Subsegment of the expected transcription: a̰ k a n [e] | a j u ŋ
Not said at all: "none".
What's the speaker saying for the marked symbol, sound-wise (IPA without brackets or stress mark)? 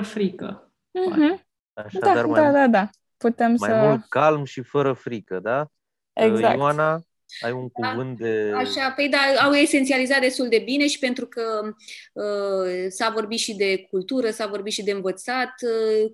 a